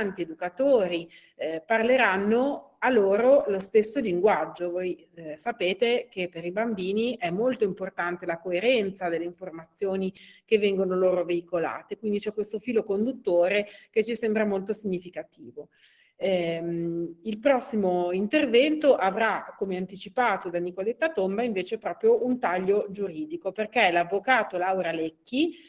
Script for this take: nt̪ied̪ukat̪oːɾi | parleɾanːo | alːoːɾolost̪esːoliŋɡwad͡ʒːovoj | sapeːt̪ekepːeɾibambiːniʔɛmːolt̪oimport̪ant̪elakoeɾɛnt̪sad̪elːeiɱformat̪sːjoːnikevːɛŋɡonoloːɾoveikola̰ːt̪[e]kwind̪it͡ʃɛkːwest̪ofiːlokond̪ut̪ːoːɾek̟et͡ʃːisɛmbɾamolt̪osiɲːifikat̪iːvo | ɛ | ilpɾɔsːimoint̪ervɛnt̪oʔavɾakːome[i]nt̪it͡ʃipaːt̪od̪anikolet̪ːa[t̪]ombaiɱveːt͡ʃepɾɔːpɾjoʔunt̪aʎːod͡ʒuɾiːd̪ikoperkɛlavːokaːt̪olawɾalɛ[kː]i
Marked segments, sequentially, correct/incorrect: correct, incorrect, correct, correct

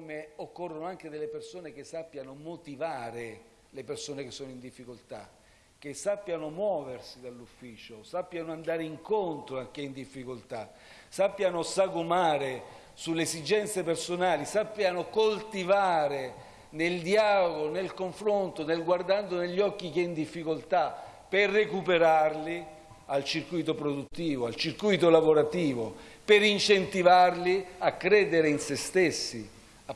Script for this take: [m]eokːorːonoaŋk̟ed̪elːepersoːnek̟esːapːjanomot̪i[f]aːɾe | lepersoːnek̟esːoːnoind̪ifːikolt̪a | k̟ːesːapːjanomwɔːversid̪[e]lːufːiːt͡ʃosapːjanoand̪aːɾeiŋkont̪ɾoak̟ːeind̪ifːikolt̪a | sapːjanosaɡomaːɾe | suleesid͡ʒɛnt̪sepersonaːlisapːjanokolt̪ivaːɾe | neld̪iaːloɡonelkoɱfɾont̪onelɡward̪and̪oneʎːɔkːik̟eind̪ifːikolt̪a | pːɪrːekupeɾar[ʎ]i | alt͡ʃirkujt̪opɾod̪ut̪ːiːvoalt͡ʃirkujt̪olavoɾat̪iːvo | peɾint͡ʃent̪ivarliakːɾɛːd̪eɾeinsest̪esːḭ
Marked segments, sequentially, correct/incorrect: correct, incorrect, incorrect, incorrect

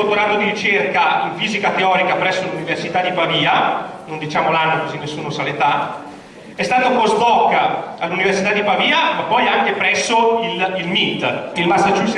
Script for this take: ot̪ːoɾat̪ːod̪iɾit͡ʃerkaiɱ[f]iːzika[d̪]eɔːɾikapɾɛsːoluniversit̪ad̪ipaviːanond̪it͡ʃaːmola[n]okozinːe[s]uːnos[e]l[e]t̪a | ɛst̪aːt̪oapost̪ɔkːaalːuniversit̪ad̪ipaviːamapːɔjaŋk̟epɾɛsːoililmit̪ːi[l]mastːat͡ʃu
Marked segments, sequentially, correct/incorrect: correct, incorrect, incorrect, incorrect, incorrect, correct, correct

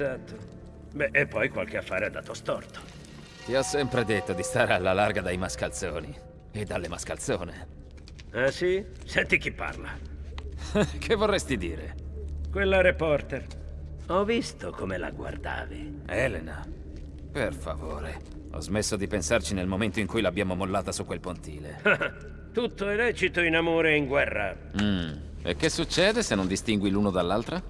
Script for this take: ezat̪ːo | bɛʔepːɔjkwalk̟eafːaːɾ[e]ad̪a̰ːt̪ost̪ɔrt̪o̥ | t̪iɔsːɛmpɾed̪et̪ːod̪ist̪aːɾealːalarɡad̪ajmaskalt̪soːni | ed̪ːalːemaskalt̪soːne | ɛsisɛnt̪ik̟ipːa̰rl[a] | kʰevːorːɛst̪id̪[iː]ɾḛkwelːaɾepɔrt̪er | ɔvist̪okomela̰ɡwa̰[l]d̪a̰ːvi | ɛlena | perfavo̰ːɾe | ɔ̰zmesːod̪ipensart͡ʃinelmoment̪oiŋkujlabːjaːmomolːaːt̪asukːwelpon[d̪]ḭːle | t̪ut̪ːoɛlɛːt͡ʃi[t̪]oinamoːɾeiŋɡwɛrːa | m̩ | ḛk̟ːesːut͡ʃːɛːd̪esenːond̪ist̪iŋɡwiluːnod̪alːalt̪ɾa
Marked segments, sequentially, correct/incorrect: correct, correct, correct, incorrect, incorrect, correct

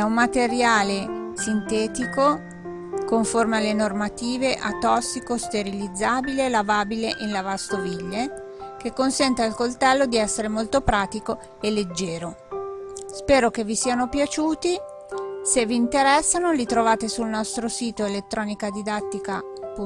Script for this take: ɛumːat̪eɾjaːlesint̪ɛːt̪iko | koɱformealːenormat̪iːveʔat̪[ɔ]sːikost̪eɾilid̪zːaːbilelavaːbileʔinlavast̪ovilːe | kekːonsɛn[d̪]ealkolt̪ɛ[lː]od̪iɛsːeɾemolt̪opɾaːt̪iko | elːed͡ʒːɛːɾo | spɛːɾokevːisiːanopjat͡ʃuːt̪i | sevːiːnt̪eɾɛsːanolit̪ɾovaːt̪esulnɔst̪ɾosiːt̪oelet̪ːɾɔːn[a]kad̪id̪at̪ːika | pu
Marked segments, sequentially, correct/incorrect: correct, incorrect, correct, incorrect

